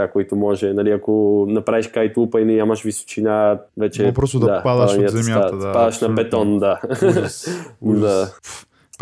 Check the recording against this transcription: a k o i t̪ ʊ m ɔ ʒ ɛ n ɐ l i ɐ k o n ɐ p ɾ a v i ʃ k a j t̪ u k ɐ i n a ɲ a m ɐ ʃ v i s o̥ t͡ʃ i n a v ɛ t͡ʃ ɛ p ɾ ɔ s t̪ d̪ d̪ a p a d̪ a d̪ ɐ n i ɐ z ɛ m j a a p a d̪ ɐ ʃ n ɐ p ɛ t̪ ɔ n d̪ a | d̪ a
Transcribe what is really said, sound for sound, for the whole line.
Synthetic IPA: a k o i t̪ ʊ m ɔ ʒ ɛ n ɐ l i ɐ k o n ɐ p ɾ a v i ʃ k a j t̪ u p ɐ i n ɛ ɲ a m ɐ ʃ v i s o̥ t͡ʃ i n a v ɛ t͡ʃ ɛ p ɾ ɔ s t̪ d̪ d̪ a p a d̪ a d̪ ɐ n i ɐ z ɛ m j a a p a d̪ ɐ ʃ n ɐ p ɛ t̪ ɔ n d̪ a | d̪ a